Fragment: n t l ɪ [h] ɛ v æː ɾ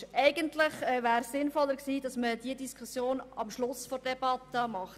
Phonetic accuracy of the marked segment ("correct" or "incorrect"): incorrect